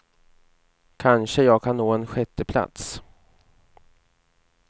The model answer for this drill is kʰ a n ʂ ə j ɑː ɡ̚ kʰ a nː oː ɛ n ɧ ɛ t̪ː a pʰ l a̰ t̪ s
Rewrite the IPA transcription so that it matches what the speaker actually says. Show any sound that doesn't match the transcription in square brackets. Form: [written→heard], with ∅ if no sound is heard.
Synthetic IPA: kʰ a n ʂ ə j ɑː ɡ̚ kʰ a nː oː ɛ n ɧ ɛ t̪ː [a→ə] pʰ l a̰ t̪ s